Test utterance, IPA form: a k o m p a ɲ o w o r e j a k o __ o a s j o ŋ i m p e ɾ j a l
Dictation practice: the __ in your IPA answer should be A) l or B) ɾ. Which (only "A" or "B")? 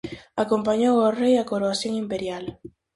B